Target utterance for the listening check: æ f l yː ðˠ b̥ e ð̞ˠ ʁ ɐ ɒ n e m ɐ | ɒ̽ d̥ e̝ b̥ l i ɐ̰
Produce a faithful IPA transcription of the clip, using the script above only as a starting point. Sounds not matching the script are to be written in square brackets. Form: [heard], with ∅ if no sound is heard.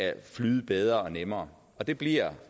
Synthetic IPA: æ f l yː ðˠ b̥ e ð̞ˠ ʁ ɐ ɒ n e m [ɐː] | ɒ̽ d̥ e̝ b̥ l i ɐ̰